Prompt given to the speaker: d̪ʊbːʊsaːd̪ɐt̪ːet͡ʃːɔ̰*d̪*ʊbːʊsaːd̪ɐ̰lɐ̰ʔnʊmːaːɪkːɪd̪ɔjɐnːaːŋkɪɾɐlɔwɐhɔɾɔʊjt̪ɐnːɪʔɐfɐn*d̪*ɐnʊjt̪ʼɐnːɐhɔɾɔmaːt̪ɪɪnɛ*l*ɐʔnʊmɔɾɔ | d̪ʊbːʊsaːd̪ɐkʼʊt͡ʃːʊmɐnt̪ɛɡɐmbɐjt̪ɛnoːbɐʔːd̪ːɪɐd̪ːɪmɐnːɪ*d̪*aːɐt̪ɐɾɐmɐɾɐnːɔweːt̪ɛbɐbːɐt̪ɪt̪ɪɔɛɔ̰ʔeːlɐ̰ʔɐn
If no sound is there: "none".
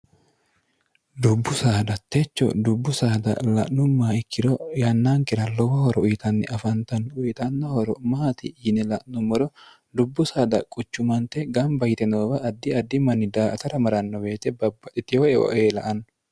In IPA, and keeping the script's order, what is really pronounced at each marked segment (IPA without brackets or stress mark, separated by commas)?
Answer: d̪, t̪, l, d̪